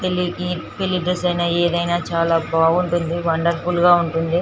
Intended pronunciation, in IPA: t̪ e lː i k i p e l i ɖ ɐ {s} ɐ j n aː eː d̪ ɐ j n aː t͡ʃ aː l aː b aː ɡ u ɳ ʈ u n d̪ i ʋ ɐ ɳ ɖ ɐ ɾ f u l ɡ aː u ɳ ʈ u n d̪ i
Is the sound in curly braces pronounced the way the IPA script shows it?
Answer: yes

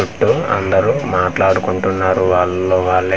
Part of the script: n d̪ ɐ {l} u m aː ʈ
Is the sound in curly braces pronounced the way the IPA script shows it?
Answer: no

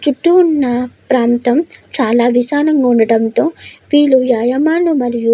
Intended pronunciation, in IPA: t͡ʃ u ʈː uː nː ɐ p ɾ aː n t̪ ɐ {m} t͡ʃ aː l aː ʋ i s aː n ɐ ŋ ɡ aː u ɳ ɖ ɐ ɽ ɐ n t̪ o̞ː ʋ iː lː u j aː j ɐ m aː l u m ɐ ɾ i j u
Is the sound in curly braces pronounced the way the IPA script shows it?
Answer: yes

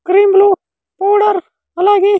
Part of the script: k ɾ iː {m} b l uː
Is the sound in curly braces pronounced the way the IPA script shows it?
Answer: yes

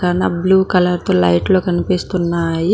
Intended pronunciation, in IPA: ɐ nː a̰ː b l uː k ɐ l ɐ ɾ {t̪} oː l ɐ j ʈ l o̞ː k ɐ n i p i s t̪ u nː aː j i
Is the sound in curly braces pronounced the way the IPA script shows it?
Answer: yes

